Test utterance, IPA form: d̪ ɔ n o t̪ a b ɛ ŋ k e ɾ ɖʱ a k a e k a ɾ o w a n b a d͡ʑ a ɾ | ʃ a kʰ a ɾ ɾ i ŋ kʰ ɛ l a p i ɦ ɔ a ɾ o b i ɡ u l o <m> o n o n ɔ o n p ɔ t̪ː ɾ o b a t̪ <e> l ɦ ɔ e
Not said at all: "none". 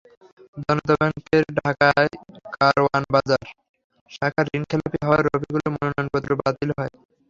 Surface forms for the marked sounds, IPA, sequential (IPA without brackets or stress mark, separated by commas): m, i